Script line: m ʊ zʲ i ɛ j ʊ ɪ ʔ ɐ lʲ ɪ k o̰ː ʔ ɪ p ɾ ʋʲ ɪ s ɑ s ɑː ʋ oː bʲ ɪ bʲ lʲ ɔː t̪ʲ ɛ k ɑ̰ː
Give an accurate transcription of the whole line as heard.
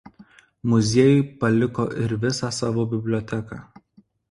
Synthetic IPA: m ʊ zʲ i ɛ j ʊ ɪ p ɐ lʲ ɪ k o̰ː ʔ ɪ ɾ ʋʲ ɪ s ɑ s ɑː ʋ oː bʲ ɪ bʲ lʲ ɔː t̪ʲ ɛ k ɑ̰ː

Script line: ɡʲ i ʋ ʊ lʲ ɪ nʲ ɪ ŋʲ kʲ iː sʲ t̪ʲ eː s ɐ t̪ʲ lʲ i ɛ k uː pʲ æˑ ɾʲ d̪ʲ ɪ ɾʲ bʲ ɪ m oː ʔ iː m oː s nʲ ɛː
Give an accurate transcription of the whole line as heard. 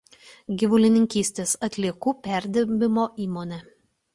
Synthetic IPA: ɡʲ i ʋ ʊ lʲ ɪ nʲ ɪ ŋʲ kʲ iː sʲ t̪ʲ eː s ɐ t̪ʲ lʲ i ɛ k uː pʲ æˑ ɾʲ d̪ʲ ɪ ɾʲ bʲ ɪ m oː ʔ iː m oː nʲ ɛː

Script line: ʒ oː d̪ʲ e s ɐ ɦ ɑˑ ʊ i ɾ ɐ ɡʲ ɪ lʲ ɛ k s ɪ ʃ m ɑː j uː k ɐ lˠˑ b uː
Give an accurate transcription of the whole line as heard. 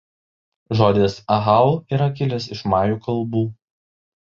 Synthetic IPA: ʒ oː d̪ʲ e s ɐ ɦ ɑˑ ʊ i ɾ ɐ kʲ ɪ lʲ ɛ s ɪ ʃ m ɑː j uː k ɐ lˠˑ b uː

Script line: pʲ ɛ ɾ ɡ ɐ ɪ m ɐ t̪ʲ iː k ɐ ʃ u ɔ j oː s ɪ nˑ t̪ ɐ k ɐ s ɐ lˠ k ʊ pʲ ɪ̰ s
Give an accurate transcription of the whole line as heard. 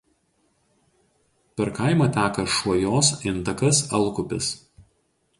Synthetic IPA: pʲ ɛ ɾ k ɐ ɪ m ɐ t̪ʲ æː k ɐ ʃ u ɔ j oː s ɪ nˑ t̪ ɐ k ɐ s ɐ lˠ k ʊ pʲ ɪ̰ s

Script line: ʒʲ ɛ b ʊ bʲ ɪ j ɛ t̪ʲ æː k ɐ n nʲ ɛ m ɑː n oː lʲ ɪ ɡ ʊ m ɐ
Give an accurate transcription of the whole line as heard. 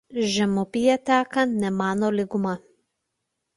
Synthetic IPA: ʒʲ ɛ m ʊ pʲ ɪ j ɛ t̪ʲ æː k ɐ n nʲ ɛ m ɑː n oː lʲ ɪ ɡ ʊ m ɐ

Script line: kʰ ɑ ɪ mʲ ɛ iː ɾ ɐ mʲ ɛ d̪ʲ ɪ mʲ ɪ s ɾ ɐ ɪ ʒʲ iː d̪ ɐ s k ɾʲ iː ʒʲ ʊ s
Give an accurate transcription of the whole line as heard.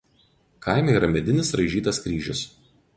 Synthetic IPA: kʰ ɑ ɪ mʲ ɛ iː ɾ ɐ mʲ ɛ d̪ʲ ɪ nʲ ɪ s ɾ ɐ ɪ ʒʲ iː t̪ ɐ s k ɾʲ iː ʒʲ ʊ s

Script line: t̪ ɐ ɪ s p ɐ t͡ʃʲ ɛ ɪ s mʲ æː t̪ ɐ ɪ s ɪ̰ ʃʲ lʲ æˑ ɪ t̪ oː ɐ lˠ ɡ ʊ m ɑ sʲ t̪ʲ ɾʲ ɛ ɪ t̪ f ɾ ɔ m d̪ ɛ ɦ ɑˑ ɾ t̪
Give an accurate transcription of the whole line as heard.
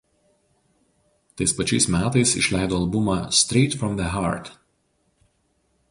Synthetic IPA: t̪ ɐ ɪ s p ɐ t͡ʃʲ ɛ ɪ s mʲ æː t̪ ɐ ɪ s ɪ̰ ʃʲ lʲ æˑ ɪ d̪ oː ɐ lˠ b ʊ m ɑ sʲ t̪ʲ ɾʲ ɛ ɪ t̪ f ɾ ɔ m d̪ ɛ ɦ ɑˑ ɾ t̪

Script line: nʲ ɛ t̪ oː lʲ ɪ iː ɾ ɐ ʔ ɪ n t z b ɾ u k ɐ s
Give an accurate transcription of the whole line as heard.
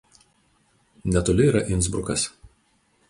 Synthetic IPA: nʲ ɛ t̪ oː lʲ ɪ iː ɾ ɐ ʔ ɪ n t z b ɾ ʊ k ɐ s

